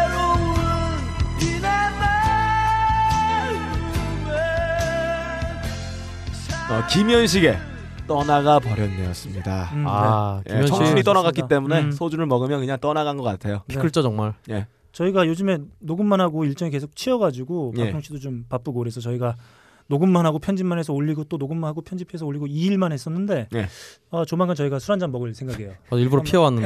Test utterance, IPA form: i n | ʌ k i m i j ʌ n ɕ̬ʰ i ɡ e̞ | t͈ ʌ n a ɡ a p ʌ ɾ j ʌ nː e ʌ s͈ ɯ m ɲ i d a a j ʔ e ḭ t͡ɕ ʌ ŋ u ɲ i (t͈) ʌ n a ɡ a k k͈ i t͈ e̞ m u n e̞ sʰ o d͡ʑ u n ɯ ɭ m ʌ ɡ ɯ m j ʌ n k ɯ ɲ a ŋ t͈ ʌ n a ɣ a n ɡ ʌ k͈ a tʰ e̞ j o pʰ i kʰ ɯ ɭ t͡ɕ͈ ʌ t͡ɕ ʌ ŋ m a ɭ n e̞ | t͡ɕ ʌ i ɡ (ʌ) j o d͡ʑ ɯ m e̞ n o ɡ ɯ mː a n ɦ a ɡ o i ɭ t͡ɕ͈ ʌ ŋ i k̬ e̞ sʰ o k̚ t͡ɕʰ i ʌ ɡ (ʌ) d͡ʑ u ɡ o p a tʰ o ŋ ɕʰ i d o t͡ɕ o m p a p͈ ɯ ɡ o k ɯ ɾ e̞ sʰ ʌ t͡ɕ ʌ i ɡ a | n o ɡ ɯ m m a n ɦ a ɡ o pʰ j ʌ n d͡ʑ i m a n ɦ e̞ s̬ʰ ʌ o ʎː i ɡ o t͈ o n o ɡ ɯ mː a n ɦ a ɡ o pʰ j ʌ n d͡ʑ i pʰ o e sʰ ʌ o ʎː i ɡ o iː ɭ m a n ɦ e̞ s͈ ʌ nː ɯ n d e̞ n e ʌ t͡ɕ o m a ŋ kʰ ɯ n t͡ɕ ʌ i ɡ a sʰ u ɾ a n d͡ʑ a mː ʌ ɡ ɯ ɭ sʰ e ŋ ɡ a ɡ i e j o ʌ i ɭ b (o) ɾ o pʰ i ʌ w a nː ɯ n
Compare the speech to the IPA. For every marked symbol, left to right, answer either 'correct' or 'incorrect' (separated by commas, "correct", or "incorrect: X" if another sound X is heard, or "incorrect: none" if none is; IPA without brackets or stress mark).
correct, incorrect: a, incorrect: a, incorrect: u